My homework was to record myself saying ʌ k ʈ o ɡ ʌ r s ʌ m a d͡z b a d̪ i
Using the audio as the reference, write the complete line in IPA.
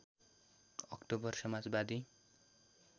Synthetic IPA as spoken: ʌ k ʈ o b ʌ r s ʌ m a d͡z b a d̪ i